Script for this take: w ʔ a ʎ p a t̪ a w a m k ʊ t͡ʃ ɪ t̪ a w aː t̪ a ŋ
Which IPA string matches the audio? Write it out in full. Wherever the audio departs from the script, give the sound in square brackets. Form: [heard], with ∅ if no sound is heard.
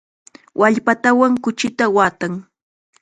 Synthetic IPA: w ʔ a ʎ p a t̪ a w a [ŋ] k ʊ t͡ʃ ɪ t̪ a w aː t̪ a ŋ